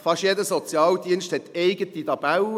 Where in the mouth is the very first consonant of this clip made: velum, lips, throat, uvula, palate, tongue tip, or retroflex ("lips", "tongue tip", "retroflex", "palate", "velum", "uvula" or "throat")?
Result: lips